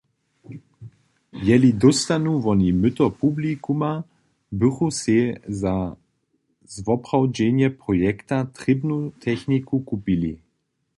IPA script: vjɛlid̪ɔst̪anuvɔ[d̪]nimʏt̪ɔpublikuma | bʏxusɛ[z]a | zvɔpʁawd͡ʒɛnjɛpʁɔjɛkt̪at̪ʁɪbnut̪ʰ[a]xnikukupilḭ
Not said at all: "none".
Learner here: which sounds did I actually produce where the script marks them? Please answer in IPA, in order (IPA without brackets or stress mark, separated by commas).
none, z, ɛ